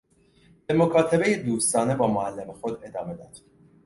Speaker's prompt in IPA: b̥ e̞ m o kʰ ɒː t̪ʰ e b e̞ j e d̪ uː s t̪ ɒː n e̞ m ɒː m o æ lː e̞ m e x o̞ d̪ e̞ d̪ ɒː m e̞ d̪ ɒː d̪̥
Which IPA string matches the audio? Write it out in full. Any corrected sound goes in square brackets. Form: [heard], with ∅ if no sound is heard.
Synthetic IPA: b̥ e̞ m o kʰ ɒː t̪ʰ e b e̞ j e d̪ uː s t̪ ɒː n e̞ [b] ɒː m o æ lː e̞ m e x o̞ d̪ e̞ d̪ ɒː m e̞ d̪ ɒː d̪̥